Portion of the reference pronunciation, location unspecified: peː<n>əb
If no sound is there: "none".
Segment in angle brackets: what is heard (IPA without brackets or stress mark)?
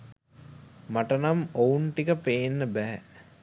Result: nː